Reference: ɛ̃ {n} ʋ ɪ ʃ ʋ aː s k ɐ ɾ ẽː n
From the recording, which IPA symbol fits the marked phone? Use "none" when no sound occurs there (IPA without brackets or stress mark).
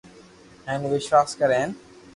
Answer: n